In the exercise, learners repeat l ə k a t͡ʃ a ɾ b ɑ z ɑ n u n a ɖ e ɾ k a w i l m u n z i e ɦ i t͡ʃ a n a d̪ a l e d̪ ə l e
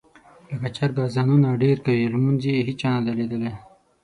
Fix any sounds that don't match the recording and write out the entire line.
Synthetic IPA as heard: l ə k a t͡ʃ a ɾ ɡ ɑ z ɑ n u n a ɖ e ɾ k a w i l m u n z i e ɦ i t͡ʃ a n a d̪ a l e d̪ ə l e